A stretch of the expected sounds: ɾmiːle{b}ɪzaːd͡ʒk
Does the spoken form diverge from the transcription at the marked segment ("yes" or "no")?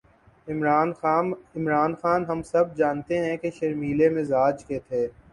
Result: yes